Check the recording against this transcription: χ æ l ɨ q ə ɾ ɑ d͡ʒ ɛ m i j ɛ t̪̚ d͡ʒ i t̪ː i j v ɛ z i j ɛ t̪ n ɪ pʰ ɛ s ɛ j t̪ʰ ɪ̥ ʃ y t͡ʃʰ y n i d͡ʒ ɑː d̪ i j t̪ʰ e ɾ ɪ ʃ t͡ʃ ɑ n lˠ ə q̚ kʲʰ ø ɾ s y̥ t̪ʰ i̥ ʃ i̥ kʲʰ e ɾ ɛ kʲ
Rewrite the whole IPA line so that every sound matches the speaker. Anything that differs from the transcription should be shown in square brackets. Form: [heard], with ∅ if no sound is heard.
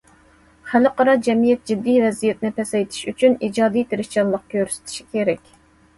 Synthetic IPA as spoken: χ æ l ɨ q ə ɾ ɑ d͡ʒ ɛ m i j ɛ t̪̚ d͡ʒ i [d̪ː] i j v ɛ z i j ɛ t̪ n ɪ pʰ ɛ s ɛ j t̪ʰ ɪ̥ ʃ y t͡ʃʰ y n i d͡ʒ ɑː d̪ i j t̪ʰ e ɾ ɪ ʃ t͡ʃ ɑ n lˠ ə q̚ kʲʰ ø ɾ s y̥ t̪ʰ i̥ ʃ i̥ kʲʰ e ɾ ɛ kʲ